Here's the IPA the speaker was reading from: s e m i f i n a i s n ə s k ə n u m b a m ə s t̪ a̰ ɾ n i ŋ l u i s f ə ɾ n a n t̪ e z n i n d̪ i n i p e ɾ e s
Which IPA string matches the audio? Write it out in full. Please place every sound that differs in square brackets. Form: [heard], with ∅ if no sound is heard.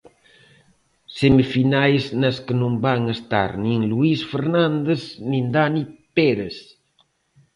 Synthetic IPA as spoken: s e m i f i n a [j] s n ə s k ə n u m b a [ŋ] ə s t̪ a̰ ɾ n i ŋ l u i s f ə ɾ n a n [d̪] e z n i n d̪ [a] n i p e ɾ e s